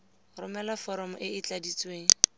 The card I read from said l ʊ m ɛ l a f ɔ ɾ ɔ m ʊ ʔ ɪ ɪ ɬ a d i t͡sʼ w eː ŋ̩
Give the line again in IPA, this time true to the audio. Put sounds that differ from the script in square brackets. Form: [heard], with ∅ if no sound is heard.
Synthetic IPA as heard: [r] ʊ m ɛ l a f ɔ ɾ ɔ m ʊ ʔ ɪ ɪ [t͡ɬ] a d i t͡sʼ w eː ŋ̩